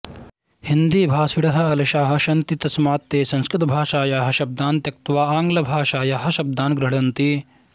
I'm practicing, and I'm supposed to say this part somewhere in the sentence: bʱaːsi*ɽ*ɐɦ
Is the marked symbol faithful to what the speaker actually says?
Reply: yes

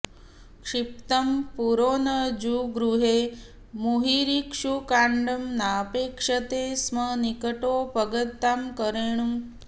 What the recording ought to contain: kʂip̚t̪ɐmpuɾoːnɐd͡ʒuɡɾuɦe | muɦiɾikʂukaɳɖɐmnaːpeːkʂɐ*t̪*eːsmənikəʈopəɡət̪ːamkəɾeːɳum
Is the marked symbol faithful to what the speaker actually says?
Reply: yes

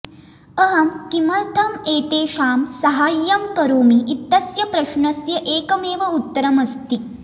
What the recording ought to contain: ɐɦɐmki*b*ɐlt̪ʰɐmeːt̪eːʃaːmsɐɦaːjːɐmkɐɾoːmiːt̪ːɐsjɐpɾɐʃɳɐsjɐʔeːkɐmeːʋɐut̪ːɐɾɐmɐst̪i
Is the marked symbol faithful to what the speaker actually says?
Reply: no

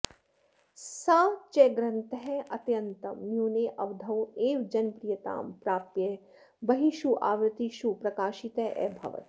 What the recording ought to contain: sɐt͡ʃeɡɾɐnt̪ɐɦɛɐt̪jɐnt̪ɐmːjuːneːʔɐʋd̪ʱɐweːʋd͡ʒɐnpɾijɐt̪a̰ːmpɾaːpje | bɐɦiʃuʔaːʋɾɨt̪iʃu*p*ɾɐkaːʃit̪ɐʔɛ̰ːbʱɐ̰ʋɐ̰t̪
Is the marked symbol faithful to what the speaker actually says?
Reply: yes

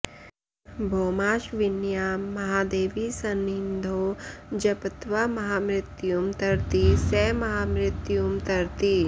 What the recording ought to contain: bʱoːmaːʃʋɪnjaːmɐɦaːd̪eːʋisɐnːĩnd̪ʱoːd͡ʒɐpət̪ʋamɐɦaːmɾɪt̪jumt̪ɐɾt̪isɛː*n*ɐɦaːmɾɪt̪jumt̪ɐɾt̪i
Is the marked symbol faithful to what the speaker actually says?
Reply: no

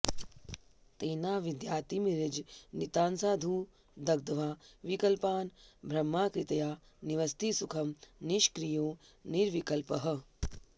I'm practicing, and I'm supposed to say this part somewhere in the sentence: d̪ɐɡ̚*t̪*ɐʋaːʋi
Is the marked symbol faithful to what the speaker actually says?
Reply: no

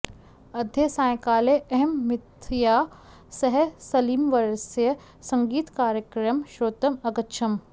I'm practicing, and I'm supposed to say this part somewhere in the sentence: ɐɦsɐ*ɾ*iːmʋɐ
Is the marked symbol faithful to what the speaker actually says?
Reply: no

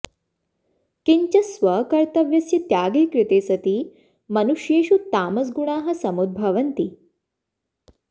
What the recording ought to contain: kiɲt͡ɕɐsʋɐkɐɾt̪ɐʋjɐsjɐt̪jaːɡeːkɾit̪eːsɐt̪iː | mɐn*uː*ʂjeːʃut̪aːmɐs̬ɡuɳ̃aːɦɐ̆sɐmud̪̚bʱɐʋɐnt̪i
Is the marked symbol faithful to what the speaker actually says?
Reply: no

